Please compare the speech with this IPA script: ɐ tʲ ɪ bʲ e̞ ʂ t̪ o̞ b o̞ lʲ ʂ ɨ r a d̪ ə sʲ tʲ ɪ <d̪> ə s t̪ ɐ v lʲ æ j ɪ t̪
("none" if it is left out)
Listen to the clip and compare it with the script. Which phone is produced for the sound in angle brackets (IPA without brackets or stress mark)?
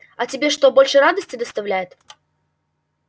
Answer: d̪